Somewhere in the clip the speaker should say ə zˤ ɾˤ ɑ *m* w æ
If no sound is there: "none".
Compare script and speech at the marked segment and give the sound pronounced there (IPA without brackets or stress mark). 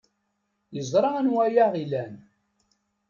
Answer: n